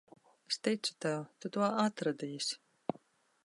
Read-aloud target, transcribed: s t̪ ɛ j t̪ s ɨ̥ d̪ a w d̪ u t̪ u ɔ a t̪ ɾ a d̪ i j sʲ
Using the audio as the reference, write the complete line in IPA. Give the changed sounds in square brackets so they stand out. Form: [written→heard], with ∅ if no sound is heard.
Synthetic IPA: s t̪ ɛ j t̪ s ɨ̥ [d̪→t̪] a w [d̪→t̪] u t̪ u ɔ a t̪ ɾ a d̪ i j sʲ